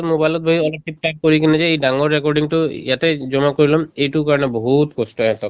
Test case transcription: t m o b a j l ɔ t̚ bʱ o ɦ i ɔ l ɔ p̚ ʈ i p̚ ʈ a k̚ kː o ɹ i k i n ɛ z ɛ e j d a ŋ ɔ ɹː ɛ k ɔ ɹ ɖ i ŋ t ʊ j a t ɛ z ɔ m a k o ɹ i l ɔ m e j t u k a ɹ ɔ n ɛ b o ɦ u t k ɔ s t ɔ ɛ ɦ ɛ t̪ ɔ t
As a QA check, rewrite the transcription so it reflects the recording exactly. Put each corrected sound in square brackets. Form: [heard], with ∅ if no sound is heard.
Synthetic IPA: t m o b a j l ɔ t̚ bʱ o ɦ i ɔ l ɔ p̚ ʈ i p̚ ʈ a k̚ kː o ɹ i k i n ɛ z ɛ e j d a ŋ ɔ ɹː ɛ k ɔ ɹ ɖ i ŋ t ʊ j a t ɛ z ɔ m a k o ɹ i l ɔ m e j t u k a ɹ ɔ n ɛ b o ɦ u t k ɔ s t ɔ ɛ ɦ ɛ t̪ ɔ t